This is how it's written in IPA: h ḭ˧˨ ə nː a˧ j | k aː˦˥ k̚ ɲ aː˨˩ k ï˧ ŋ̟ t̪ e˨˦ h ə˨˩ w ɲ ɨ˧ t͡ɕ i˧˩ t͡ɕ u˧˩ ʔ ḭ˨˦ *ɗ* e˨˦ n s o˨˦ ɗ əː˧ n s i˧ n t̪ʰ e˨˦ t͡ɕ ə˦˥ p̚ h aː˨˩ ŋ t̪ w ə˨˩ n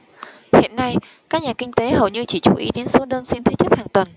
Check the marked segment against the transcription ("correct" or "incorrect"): correct